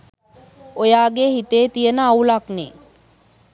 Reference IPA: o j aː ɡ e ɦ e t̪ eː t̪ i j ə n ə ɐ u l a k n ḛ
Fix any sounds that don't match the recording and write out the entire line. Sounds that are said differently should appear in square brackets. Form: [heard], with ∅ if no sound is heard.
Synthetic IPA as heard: o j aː ɡ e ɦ [i] t̪ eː t̪ i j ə n ə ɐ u l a k n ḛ